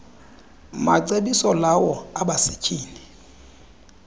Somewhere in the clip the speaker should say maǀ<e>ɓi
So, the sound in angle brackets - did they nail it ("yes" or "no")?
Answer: yes